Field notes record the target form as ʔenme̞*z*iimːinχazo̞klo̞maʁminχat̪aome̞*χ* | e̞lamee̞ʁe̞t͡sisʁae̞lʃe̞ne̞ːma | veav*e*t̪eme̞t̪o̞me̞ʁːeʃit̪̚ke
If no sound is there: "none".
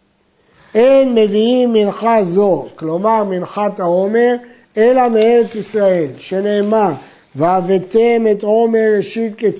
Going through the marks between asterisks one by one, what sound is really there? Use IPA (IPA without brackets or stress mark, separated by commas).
v, ʁ, e